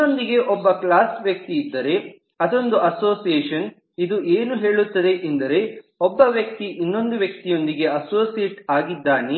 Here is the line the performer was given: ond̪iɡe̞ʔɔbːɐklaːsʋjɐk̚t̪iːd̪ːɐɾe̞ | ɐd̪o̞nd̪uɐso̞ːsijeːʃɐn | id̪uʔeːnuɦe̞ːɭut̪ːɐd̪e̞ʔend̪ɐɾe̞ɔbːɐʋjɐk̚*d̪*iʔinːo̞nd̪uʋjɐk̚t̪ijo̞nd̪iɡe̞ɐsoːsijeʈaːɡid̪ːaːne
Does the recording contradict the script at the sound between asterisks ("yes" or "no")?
yes